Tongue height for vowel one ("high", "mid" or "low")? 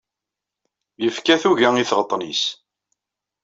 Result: mid